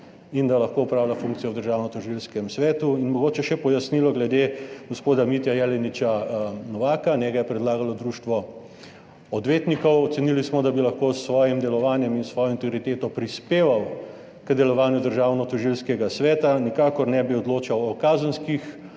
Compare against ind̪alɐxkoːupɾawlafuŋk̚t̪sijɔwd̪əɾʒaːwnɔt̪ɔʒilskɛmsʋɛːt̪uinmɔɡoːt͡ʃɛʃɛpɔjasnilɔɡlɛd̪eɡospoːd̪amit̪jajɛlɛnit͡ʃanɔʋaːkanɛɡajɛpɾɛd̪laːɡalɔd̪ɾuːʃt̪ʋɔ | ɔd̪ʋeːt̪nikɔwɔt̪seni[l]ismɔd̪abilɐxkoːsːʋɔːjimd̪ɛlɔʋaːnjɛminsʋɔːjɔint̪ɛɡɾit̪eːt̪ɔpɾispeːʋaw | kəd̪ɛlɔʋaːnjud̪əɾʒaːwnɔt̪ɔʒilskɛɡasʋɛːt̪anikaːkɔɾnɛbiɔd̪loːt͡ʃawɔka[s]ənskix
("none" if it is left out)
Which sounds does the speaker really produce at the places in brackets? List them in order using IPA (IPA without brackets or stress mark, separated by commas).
l, z